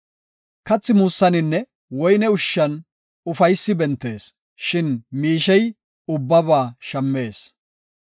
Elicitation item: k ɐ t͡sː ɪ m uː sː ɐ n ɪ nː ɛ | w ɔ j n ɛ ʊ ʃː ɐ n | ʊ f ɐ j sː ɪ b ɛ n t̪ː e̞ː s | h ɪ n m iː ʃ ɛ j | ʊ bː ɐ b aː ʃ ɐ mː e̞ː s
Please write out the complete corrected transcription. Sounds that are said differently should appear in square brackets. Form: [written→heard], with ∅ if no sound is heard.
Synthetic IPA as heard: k ɐ t͡sː ɪ m uː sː ɐ n ɪ nː ɛ | w ɔ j n ɛ ʊ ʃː ɐ n | ʊ f ɐ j sː ɪ b ɛ n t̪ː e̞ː s | [h→ʃ] ɪ n m iː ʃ ɛ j | ʊ bː ɐ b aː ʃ ɐ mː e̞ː s